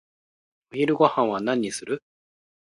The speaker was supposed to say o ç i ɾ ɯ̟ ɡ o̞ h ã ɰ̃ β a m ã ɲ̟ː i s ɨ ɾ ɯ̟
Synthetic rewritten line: o ç i ɾ ɯ̟ ɡ o̞ h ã ɰ̃ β a n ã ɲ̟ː i s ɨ ɾ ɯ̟